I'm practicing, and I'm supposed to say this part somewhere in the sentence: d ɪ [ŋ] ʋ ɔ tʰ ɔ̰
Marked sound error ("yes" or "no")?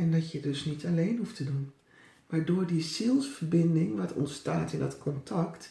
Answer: no